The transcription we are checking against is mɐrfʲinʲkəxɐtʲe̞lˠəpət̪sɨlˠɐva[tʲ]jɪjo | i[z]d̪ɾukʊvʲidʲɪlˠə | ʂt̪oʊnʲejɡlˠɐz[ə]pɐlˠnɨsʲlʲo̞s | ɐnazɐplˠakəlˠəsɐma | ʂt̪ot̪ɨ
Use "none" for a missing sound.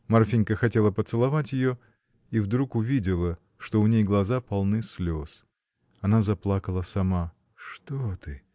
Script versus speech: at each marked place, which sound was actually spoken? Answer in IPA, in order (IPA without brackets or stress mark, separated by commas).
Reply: tʲ, v, a